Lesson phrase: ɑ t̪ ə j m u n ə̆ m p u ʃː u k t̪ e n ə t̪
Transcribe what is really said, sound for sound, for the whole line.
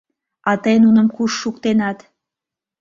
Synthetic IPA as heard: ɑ t̪ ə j n u n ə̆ m k u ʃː u k t̪ e n ɑ t̪